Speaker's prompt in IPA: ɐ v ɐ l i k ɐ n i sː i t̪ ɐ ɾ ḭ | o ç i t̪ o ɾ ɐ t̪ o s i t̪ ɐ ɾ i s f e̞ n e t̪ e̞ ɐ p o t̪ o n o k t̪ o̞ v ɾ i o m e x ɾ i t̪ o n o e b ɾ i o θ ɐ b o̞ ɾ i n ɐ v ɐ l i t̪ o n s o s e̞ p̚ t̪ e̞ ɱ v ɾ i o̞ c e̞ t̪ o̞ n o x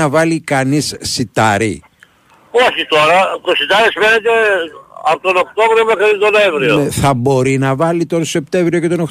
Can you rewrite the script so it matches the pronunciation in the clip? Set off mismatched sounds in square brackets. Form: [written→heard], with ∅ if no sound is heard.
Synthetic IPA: ɐ v ɐ l i k ɐ n i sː i t̪ ɐ ɾ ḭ | o ç i t̪ o ɾ ɐ t̪ o s i t̪ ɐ ɾ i s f e̞ n e t̪ e̞ ɐ p o t̪ o n o k t̪ o̞ v ɾ i o m e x ɾ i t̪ o n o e [b→v] ɾ i o θ ɐ b o̞ ɾ i n ɐ v ɐ l i t̪ o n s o s e̞ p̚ t̪ e̞ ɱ v ɾ i o̞ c e̞ t̪ o̞ n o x